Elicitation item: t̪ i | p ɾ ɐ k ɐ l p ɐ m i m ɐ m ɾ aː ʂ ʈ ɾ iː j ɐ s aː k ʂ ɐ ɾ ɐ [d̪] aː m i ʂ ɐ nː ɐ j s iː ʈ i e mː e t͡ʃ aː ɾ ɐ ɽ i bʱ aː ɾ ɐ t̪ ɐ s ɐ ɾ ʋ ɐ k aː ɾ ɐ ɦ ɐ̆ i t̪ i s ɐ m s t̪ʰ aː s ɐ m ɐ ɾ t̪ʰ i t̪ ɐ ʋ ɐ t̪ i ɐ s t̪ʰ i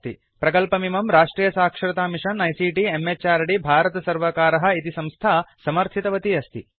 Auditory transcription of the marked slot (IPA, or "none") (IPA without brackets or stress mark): t̪